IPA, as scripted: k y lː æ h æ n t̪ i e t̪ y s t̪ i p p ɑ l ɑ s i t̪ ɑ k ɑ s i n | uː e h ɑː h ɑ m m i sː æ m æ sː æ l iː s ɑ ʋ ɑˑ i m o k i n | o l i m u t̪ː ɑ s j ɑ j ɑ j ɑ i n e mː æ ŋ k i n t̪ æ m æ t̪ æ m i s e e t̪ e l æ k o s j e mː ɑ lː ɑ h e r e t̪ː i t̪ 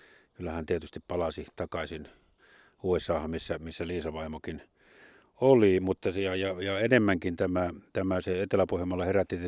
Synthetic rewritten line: k y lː æ h æ n t̪ i e t̪ y s t̪ i p p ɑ l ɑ s i t̪ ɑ k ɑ s i n | uː e s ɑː h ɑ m m i sː æ m i sː æ l iː s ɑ ʋ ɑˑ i m o k i n | o l i m u t̪ː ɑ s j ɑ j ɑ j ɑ e n e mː æ ŋ k i n t̪ æ m æ t̪ æ m æ s e e t̪ e l æ p o h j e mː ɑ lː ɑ h e r æ t̪ː i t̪